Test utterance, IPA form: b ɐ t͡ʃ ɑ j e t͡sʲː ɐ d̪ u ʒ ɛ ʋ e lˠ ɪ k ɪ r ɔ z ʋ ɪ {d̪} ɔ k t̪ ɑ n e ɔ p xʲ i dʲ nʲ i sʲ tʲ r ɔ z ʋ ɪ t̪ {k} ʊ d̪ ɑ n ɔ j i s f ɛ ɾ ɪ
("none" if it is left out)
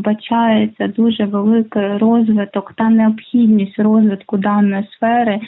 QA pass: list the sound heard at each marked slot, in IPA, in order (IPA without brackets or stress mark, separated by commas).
t̪, k